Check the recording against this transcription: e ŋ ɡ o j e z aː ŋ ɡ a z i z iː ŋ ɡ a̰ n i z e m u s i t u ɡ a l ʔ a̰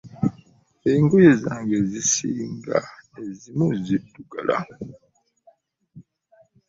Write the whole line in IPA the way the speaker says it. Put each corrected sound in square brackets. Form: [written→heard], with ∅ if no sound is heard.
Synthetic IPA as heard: e ŋ ɡ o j e z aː ŋ ɡ [a→e] z i [z→s] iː ŋ ɡ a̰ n [i→e] z [e→i] m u [s→z] i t u ɡ a l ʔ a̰